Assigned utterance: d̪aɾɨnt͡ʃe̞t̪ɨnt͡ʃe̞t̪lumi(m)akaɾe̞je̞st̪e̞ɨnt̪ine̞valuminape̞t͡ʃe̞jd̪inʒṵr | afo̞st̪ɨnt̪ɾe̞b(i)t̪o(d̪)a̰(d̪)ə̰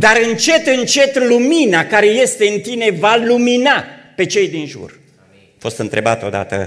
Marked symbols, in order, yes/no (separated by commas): no, no, yes, no